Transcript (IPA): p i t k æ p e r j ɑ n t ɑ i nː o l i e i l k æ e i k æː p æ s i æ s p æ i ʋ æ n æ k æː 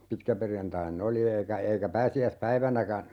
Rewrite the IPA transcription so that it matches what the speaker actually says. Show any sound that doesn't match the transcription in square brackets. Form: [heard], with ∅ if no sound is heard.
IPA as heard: p i t k æ p e r j ɑ n t ɑ i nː o l i e i [∅] k æ e i k [æ] p [æː] s i æ s p æ i ʋ æ n æ k [æ]